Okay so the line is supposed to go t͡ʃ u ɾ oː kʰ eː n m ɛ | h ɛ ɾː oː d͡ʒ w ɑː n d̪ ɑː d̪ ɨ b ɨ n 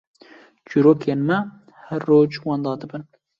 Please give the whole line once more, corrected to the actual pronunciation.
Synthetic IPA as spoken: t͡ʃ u ɾ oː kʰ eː n m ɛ | h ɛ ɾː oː d͡ʒ w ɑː n d̪ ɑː d̪ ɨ b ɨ n